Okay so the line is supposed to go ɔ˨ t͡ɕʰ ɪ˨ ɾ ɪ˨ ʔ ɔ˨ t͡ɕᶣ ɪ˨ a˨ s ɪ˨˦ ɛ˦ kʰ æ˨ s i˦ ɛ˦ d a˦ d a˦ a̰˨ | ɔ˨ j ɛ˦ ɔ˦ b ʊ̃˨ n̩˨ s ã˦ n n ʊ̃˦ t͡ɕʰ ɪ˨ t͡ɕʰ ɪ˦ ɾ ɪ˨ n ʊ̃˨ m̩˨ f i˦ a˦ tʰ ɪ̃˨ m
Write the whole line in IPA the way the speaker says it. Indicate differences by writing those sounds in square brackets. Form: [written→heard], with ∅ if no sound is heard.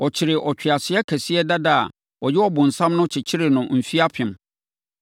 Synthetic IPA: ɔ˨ t͡ɕʰ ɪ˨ ɾ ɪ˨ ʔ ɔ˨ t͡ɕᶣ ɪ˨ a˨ s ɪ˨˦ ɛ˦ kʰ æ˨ s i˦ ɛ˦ d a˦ d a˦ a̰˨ | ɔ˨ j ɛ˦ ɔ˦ b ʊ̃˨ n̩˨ s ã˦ [n→m] n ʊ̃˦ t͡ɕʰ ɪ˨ t͡ɕʰ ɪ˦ ɾ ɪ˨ n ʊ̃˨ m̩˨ f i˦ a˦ [tʰ→pʰ] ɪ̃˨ m

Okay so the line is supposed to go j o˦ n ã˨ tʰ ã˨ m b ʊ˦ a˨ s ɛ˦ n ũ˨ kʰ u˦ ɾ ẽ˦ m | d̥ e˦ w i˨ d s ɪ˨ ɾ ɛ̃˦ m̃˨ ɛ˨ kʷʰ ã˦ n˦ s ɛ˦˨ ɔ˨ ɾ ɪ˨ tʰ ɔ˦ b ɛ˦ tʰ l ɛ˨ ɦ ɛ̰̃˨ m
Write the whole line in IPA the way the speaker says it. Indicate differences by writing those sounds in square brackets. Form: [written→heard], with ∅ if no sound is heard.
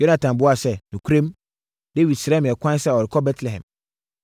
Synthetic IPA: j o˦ n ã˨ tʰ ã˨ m b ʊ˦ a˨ s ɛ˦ n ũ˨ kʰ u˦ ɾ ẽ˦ m | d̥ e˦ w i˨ d s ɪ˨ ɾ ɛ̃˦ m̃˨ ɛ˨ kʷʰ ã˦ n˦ s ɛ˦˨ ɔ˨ ɾ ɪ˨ [tʰ→kʰ] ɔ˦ b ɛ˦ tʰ l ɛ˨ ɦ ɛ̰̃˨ m

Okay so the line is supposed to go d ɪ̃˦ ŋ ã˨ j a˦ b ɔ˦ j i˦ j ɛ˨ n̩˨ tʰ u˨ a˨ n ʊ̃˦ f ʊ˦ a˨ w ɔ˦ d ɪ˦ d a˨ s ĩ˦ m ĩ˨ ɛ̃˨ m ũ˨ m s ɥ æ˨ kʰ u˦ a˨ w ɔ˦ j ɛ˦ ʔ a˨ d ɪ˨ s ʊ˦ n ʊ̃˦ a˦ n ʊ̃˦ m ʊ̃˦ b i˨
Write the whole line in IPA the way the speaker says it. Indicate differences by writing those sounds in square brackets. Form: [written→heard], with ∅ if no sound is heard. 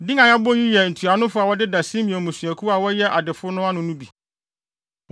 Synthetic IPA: d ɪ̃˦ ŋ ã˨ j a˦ b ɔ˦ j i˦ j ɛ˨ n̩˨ tʰ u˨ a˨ n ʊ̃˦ f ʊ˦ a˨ w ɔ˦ d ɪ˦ d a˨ s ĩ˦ m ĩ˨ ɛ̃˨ m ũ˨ [m→∅] s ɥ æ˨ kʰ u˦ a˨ w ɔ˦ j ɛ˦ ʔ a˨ d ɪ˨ [s→f] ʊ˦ n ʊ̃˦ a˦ n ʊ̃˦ [m→n] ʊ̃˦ b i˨

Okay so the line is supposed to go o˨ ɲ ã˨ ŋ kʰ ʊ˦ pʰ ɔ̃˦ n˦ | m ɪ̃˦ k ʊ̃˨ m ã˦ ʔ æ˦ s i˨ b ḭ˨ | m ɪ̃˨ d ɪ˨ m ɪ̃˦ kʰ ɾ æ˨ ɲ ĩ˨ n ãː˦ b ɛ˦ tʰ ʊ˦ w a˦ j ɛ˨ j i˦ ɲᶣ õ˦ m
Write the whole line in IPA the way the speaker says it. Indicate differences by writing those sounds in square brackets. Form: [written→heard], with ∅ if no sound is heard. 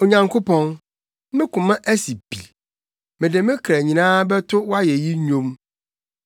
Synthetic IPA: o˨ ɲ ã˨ ŋ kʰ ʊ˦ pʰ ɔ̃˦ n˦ | m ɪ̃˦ k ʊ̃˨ m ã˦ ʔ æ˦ s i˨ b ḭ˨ | m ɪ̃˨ d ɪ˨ m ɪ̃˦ kʰ ɾ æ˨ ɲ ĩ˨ n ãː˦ b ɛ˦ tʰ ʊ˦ w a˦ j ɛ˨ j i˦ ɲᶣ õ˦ m

